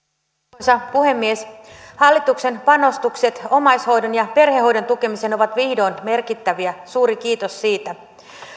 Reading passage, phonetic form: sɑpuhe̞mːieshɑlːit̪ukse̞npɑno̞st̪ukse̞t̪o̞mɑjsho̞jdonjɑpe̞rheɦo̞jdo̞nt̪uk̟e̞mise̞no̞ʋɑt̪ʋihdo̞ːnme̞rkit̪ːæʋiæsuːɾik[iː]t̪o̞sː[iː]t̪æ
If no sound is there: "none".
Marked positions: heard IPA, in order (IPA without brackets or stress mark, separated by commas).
iː, iː